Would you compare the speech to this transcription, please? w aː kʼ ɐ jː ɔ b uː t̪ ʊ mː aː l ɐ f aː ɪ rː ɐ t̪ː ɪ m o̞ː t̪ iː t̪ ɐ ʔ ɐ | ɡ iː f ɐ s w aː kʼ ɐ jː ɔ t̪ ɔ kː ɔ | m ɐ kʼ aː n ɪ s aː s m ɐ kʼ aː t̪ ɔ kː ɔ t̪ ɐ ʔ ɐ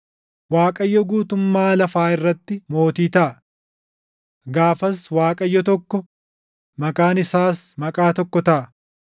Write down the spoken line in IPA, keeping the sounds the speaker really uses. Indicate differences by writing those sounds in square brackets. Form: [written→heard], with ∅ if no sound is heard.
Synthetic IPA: w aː kʼ ɐ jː ɔ [b→ɡ] uː t̪ ʊ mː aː l ɐ f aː ɪ rː ɐ t̪ː ɪ m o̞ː t̪ iː t̪ ɐ ʔ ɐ | ɡ [iː→aː] f ɐ s w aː kʼ ɐ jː ɔ t̪ ɔ kː ɔ | m ɐ kʼ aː n ɪ s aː s m ɐ kʼ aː t̪ ɔ kː ɔ t̪ ɐ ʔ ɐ